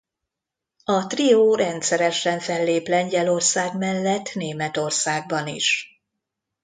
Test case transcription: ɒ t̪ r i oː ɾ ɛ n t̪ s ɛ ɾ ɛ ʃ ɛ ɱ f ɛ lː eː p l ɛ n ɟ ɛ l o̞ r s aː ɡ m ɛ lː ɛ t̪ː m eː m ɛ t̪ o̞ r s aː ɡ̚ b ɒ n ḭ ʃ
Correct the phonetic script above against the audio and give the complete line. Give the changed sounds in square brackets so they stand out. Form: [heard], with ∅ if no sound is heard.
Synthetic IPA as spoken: ɒ t̪ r i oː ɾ ɛ n t̪ s ɛ ɾ ɛ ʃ ɛ ɱ f ɛ lː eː p l ɛ [ɲ] ɟ ɛ l o̞ r s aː ɡ m ɛ lː ɛ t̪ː [n] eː m ɛ t̪ o̞ r s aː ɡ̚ b ɒ n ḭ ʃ